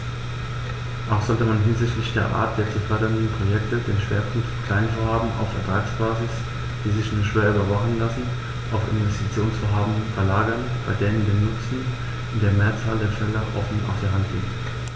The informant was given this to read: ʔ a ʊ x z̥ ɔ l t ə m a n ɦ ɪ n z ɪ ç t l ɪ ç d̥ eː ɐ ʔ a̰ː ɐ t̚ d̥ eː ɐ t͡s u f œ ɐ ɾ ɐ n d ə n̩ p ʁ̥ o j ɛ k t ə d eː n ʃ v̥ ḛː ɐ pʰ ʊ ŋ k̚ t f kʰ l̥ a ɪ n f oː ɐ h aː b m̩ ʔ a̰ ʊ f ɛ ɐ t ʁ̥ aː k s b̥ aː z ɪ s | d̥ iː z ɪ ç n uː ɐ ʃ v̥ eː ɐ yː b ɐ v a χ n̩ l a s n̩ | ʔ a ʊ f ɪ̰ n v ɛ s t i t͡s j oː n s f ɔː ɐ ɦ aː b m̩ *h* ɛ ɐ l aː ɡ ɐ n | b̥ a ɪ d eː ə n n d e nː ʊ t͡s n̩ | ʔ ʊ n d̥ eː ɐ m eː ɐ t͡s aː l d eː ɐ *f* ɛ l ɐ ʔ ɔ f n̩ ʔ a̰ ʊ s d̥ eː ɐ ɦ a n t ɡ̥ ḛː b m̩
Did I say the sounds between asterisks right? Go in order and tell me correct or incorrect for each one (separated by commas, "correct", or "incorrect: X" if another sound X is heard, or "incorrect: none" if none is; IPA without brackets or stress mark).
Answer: incorrect: f, correct